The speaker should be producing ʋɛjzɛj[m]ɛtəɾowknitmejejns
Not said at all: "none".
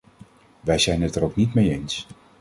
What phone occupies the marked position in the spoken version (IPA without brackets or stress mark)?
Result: n